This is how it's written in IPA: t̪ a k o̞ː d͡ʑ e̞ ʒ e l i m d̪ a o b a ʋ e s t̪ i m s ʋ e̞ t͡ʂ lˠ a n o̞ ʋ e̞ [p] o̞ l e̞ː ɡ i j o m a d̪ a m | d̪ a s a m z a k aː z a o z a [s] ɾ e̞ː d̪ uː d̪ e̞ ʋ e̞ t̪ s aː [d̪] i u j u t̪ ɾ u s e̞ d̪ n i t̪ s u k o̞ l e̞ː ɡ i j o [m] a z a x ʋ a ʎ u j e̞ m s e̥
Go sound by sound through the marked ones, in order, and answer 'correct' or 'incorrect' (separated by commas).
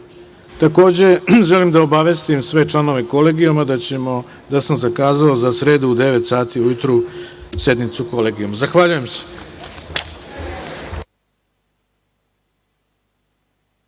incorrect, correct, incorrect, correct